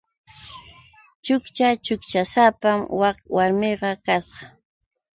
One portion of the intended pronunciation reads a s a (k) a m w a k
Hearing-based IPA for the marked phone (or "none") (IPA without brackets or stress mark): p